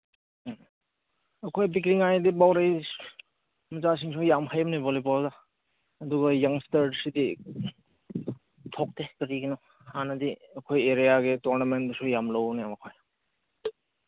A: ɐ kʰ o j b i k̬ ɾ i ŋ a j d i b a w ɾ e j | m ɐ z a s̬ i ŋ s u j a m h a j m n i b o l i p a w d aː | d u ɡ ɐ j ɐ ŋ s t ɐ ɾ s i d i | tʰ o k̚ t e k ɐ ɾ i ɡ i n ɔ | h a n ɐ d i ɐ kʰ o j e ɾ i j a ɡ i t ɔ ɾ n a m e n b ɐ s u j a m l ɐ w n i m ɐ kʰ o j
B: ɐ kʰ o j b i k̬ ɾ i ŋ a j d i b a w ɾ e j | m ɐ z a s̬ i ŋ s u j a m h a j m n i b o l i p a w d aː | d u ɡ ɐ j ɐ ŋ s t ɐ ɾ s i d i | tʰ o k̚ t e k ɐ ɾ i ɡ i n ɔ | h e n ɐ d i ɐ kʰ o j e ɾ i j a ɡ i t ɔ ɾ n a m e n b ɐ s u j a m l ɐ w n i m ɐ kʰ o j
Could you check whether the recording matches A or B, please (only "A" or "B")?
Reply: A